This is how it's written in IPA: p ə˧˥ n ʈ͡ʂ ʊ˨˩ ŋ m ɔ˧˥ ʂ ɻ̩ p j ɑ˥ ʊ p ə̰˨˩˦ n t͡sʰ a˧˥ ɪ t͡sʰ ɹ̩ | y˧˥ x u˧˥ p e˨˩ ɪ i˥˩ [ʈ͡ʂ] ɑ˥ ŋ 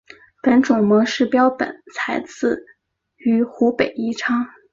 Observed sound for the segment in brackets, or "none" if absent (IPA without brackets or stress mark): ʈ͡ʂʰ